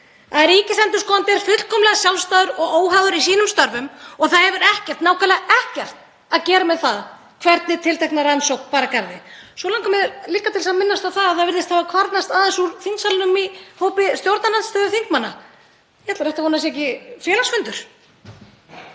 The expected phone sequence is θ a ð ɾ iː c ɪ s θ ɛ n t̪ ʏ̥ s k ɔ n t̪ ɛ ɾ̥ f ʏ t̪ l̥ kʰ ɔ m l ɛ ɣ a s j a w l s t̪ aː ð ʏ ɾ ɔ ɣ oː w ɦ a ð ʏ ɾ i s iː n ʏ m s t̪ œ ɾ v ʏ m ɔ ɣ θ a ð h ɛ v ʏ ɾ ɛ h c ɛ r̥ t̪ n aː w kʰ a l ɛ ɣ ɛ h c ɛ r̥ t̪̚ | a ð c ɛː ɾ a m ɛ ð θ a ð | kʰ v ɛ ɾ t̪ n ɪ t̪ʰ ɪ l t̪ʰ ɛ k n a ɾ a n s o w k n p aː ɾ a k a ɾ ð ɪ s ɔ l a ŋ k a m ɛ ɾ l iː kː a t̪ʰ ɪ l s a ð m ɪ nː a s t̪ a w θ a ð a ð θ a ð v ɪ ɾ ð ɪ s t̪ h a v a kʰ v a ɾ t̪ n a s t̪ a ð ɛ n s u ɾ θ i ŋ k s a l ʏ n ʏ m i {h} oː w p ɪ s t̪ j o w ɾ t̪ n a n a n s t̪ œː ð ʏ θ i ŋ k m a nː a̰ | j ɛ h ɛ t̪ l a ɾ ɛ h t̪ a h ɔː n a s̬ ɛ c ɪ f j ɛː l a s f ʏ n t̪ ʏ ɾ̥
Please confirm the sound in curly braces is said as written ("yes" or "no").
yes